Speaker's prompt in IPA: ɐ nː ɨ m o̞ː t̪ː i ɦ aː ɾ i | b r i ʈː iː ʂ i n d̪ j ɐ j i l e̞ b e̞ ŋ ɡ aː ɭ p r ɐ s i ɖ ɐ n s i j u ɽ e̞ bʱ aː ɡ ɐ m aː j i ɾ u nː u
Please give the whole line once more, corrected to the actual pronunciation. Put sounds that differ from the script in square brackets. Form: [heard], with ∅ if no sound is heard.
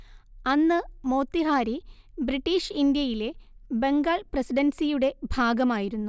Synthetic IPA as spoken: ɐ nː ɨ m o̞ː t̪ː i ɦ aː ɾ i | b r i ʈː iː ʂ i n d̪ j ɐ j i l e̞ b e̞ ŋ ɡ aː ɭ p r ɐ s i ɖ ɐ n s i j u ɽ e̞ bʱ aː ɡ ɐ m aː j i ɾ u nː u